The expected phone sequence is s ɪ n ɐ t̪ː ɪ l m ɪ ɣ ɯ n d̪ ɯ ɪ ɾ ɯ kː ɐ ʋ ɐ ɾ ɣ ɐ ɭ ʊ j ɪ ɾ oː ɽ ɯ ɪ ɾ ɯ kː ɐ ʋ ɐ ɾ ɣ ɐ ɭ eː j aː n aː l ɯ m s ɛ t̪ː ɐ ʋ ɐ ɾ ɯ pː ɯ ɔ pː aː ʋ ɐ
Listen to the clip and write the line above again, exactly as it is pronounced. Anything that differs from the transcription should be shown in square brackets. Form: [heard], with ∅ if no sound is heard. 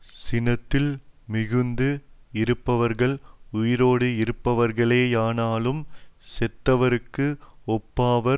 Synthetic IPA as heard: s ɪ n ɐ t̪ː ɪ l m ɪ ɣ ɯ n d̪ ɯ ɪ ɾ ɯ [pː] ɐ ʋ ɐ ɾ ɣ ɐ ɭ ʊ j ɪ ɾ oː ɽ ɯ ɪ ɾ ɯ [pː] ɐ ʋ ɐ ɾ ɣ ɐ ɭ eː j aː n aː l ɯ m s ɛ t̪ː ɐ ʋ ɐ ɾ ɯ [kː] ɯ ɔ pː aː ʋ ɐ